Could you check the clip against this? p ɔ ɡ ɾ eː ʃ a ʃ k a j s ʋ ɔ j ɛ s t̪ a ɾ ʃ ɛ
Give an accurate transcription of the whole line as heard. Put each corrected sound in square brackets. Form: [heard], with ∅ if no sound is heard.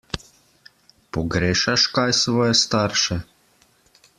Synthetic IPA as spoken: p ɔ ɡ ɾ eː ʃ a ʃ k a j s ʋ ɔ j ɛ s t̪ a ɾ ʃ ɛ